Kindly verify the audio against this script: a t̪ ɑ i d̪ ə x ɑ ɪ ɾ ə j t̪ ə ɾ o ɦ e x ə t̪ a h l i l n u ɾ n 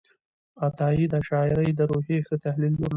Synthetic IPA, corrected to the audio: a t̪ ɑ i d̪ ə ʃ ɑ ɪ ɾ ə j d̪ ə ɾ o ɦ e x ə t̪ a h l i l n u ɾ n

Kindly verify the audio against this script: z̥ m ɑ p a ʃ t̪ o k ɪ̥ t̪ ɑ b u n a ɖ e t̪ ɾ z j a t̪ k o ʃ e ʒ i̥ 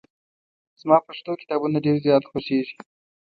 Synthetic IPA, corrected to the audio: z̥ m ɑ p a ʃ t̪ o k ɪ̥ t̪ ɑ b u n a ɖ e ɾ z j ɑ t̪ x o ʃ e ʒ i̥

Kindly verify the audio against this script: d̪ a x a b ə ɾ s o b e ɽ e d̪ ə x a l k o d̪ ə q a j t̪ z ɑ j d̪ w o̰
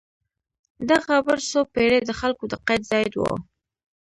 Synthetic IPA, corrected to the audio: d̪ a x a b ə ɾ s o p e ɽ e d̪ ə x a l k o d̪ ə q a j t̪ z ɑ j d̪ w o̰

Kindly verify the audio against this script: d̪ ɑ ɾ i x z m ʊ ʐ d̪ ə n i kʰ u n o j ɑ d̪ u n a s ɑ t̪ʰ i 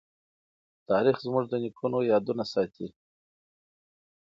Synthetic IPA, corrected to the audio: t̪ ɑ ɾ i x z m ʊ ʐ d̪ ə n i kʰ u n o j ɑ d̪ u n a s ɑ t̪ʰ i

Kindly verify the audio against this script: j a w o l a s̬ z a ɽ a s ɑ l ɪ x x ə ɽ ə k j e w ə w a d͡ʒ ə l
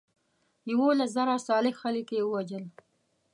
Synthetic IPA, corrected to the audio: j a w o l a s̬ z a ɾ a s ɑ l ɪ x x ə l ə k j e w ə w a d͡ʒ ə l

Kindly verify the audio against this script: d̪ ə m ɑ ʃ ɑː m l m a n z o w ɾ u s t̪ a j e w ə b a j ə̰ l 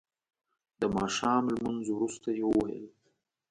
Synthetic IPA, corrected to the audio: d̪ ə m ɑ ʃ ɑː m l m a n z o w ɾ u s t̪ a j e w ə w a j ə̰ l

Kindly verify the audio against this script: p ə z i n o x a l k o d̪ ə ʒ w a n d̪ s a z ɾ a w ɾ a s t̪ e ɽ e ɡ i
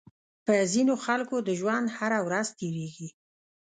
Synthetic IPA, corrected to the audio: p ə z i n o x a l k o d̪ ə ʒ w a n d̪ h a ɾ a w ɾ a z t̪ e ɾ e ɡ i

